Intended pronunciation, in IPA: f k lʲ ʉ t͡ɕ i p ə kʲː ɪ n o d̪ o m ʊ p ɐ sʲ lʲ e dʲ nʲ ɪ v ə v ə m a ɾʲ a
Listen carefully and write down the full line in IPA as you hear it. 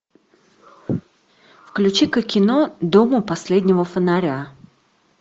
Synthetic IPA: f k lʲ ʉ t͡ɕ i k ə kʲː ɪ n o d̪ o m ʊ p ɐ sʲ lʲ e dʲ nʲ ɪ v ə f ə n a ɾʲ a